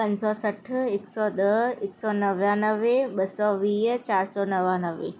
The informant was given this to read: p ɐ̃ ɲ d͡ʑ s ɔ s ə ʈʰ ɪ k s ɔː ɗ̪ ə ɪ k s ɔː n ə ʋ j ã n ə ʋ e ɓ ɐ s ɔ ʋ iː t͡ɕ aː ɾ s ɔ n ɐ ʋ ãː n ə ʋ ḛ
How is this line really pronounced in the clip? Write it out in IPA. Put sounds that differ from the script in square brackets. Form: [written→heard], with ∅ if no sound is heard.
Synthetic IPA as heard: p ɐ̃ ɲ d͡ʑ s ɔ s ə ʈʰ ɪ k s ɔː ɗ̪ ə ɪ k s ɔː n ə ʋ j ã n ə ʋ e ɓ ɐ s ɔ ʋ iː t͡ɕ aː ɾ s ɔ n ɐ ʋ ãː n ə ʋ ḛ

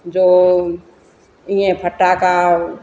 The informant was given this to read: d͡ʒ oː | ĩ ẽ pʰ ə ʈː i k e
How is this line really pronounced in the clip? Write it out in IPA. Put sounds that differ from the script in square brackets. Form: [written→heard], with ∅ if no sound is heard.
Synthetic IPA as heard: d͡ʒ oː | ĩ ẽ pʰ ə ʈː [i→a] k [e→a]

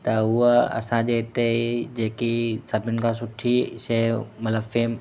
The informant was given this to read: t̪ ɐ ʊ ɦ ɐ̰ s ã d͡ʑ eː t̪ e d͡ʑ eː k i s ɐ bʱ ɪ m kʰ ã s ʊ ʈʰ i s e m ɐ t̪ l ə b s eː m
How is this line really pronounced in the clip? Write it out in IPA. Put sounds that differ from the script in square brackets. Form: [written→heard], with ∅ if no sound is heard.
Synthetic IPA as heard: t̪ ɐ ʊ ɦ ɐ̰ s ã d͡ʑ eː t̪ e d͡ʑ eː k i s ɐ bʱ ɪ [m→n] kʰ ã s ʊ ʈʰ i s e m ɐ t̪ l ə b [s→f] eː m

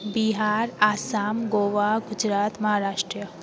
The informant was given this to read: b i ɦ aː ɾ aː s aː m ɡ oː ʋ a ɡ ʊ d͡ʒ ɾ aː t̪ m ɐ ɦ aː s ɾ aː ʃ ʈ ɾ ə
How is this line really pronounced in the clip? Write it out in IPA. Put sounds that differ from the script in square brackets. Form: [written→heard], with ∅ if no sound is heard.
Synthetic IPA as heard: b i ɦ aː ɾ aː s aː m ɡ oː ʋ a ɡ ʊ d͡ʒ ɾ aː t̪ m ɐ ɦ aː [s→∅] ɾ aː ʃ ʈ ɾ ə

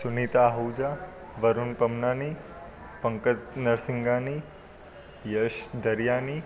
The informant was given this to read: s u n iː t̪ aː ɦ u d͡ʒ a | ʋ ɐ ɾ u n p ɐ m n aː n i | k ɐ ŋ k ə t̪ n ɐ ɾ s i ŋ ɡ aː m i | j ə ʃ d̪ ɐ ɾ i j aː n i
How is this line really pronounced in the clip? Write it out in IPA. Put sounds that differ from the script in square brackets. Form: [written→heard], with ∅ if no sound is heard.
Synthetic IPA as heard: s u n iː t̪ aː ɦ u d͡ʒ a | ʋ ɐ ɾ u n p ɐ m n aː n i | [k→p] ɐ ŋ k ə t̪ n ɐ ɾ s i ŋ ɡ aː [m→n] i | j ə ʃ d̪ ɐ ɾ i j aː n i

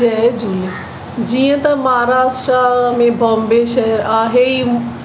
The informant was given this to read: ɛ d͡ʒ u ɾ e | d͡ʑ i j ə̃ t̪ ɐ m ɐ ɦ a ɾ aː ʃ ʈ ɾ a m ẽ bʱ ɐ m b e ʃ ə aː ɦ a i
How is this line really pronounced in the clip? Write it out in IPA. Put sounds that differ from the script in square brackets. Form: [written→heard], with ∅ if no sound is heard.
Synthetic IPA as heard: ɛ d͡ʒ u [ɾ→l] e | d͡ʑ i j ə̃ t̪ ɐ m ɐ ɦ a ɾ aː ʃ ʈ ɾ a m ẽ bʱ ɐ m b e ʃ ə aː ɦ [a→e] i

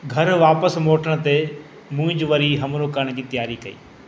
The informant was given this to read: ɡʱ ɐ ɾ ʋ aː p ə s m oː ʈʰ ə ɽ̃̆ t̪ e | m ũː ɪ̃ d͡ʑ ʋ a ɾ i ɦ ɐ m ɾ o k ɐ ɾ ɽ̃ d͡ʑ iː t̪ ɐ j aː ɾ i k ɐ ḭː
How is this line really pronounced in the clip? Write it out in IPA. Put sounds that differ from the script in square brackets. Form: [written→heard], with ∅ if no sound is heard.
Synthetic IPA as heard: ɡʱ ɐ ɾ ʋ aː p ə s m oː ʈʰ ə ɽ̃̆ t̪ e | m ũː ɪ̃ d͡ʑ ʋ [a→ɐ] ɾ i ɦ ɐ m ɾ o k ɐ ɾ ɽ̃ d͡ʑ iː t̪ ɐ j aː ɾ i k ɐ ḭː

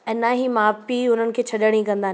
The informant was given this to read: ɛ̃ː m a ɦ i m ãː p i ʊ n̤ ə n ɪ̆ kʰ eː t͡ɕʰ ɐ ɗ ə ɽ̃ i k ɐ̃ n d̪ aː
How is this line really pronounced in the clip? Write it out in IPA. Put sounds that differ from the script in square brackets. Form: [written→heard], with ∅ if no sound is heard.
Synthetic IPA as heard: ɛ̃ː [m→n] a ɦ i m [ãː→aː] p i ʊ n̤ ə n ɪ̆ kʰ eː t͡ɕʰ ɐ ɗ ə ɽ̃ i k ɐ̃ n d̪ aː

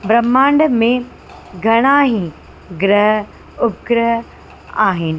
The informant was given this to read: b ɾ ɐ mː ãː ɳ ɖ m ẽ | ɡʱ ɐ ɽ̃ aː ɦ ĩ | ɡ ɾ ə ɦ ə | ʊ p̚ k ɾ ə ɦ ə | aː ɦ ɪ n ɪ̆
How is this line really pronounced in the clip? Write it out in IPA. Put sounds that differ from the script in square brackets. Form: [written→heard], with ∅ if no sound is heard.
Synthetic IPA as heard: b ɾ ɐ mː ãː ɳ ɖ m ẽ | ɡʱ ɐ ɽ̃ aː ɦ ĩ | ɡ ɾ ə ɦ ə | ʊ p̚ k ɾ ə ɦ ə | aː ɦ ɪ n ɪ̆

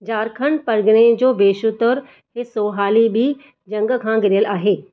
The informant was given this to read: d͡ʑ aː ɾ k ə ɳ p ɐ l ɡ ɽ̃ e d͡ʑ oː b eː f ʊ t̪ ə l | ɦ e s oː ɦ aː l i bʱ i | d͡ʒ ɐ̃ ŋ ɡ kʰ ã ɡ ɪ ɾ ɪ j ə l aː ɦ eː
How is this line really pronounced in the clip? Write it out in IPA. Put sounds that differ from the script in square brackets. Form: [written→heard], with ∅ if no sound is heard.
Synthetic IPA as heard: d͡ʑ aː ɾ [k→kʰ] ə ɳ p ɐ [l→ɾ] ɡ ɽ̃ e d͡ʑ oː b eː [f→ʃ] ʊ t̪ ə [l→ɾ] | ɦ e s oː ɦ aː l i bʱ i | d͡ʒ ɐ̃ ŋ ɡ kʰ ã ɡ ɪ ɾ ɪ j ə l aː ɦ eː

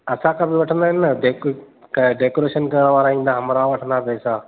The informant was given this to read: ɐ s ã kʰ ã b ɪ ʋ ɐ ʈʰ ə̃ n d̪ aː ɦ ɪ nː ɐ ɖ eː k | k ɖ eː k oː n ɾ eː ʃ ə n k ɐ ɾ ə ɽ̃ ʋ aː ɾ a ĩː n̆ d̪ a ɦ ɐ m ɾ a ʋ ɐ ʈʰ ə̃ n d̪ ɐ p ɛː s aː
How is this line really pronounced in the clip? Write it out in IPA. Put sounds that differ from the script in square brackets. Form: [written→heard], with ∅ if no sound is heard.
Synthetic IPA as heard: ɐ s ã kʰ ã b ɪ ʋ ɐ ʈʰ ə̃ n d̪ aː ɦ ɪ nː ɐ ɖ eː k | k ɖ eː k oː [n→∅] ɾ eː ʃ ə n k ɐ ɾ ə ɽ̃ ʋ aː ɾ a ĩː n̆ d̪ a ɦ ɐ m ɾ a ʋ ɐ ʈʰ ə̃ n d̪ [ɐ→a] p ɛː s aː

